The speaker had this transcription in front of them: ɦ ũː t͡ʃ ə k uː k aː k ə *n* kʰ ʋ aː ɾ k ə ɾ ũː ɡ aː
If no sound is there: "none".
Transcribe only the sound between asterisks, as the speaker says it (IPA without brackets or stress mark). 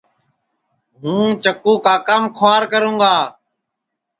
m